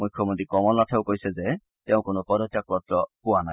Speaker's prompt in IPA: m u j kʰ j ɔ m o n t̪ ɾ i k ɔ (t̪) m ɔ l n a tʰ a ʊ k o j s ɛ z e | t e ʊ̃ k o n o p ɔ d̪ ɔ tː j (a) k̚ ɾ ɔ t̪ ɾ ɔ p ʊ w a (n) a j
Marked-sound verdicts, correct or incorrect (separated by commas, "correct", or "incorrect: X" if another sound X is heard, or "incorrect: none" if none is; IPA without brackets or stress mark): incorrect: none, correct, correct